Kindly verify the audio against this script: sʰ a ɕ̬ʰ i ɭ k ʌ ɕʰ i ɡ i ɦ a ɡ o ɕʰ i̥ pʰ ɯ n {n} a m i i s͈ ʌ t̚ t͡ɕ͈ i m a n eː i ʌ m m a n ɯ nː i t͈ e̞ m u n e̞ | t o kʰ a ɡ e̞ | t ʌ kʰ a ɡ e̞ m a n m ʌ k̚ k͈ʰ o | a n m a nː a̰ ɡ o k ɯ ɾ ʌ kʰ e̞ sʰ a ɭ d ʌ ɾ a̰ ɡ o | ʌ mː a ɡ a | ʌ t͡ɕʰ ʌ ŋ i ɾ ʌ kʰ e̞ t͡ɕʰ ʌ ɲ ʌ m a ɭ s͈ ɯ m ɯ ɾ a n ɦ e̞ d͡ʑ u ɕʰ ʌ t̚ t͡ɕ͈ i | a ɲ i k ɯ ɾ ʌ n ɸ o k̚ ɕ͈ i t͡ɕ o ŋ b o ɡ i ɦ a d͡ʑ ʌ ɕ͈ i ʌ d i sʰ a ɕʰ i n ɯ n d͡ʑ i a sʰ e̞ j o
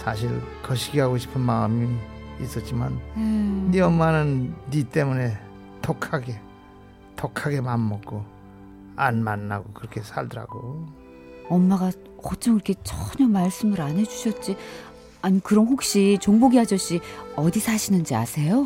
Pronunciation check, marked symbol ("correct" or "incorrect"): incorrect